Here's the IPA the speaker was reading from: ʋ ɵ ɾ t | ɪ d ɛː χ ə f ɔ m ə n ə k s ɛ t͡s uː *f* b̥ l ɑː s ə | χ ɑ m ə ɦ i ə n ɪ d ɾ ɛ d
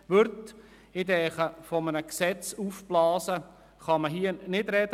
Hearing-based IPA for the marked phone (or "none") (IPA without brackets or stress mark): f